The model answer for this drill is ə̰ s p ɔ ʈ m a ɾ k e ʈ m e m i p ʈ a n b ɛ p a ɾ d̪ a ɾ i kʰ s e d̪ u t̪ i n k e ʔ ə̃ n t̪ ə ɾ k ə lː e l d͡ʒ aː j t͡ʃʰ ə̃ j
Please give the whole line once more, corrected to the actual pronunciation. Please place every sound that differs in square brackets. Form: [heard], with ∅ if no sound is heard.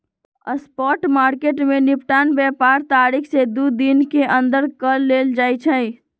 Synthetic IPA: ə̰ s p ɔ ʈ m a ɾ k e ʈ m e [n] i p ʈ a n b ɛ p a ɾ [t̪] a ɾ i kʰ s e d̪ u [d̪] i n k e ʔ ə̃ n [d̪] ə ɾ k ə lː e l d͡ʒ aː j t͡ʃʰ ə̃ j

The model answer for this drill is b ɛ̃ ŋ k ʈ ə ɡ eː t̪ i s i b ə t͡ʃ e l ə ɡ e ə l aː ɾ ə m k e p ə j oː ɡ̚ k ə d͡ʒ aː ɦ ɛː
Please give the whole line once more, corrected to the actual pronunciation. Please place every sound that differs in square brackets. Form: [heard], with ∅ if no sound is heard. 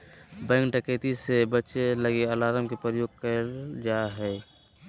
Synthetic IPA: b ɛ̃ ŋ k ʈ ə [k] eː t̪ i s [e] b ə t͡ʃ e l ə ɡ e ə l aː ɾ ə m k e p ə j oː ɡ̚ k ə d͡ʒ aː ɦ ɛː

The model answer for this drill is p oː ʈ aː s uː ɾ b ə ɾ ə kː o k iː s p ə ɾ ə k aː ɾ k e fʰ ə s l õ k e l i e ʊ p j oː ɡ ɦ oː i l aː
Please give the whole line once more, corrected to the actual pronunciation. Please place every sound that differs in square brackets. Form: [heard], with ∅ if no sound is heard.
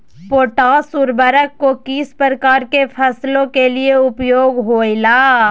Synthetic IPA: p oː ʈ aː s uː ɾ b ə ɾ ə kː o k iː s p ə ɾ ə k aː ɾ k e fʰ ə s l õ k e l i e ʊ p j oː ɡ ɦ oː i l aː

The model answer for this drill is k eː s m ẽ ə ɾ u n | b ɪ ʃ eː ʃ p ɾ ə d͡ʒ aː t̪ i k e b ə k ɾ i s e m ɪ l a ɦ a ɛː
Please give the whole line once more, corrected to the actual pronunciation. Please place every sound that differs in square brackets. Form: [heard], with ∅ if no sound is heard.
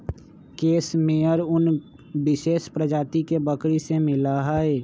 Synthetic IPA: k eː s m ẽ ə ɾ [ʊ] n | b ɪ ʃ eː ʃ p ɾ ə d͡ʒ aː t̪ i k e b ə k ɾ i s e m ɪ l a ɦ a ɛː

